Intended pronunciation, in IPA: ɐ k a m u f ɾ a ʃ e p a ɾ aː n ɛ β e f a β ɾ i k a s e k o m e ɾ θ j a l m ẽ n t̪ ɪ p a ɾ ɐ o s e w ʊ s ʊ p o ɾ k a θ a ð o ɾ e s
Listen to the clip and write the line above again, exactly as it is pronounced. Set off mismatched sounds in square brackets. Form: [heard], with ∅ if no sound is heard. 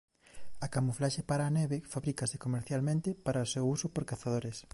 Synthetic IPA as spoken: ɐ k a m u f [l] a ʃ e p a ɾ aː n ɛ β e f a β ɾ i k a s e k o m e ɾ θ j a l m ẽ n t̪ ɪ p a ɾ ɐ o s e w [u] s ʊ p o ɾ k a θ a ð o ɾ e s